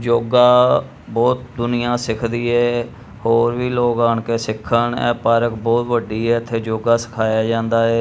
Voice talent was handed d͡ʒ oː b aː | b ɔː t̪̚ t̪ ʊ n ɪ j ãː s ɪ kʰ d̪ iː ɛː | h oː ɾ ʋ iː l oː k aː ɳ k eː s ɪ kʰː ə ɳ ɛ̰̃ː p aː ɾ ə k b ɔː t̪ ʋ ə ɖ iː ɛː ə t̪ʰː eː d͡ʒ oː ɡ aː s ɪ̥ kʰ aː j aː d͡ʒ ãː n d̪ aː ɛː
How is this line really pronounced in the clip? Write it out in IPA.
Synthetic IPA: d͡ʒ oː ɡ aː | b ɔː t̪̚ d̪ ʊ n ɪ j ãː s ɪ kʰ d̪ iː ɛː | h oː ɾ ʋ iː l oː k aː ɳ k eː s ɪ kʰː ə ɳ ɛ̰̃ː p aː ɾ ə k b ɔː t̪ ʋ ə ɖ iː ɛː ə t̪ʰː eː d͡ʒ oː ɡ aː s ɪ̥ kʰ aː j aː d͡ʒ ãː n d̪ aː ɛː